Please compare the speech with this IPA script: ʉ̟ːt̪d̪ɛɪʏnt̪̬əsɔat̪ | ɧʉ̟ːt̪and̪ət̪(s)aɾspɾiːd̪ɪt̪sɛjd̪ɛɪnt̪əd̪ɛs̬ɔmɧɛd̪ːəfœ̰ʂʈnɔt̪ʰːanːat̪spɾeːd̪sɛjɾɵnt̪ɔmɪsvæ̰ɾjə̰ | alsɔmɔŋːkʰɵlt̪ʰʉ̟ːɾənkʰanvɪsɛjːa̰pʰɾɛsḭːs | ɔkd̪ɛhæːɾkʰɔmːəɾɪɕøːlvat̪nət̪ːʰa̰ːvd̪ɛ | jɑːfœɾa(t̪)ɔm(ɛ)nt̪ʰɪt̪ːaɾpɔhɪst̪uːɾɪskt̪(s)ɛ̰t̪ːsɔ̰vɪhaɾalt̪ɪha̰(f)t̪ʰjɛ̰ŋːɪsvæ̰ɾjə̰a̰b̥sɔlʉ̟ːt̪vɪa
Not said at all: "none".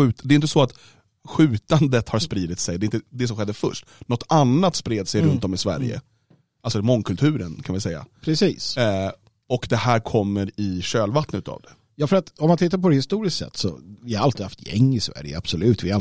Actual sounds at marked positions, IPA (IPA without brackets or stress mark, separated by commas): h, t̪, a, s, f